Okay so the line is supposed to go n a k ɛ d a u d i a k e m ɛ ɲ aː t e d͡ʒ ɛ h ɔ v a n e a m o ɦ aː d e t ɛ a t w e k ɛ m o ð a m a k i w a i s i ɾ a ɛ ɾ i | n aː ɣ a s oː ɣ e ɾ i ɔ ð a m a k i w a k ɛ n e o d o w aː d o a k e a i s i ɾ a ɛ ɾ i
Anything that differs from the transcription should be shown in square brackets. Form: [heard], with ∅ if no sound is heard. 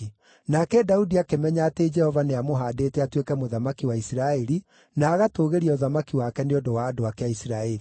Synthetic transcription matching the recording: n a k ɛ d a u d i a k e m ɛ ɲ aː t e d͡ʒ ɛ h ɔ v a n e a m o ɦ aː d e t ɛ a t w e k ɛ m o ð a m a k i w a i s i ɾ a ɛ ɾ i | n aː ɣ a [t] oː ɣ e ɾ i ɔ ð a m a k i w a k ɛ n e o d o w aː d o a k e a i s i ɾ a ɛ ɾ i